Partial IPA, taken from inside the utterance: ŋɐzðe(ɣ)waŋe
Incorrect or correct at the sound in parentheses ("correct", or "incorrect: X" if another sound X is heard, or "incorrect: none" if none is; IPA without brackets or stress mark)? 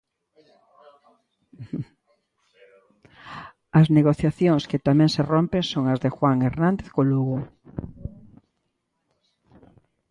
incorrect: x